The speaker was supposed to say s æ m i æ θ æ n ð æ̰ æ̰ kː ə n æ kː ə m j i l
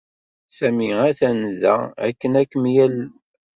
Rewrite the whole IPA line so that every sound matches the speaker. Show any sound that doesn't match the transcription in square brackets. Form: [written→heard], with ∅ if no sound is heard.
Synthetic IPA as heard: s æ m i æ θ æ n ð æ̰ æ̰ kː ə n æ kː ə m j [i→æ] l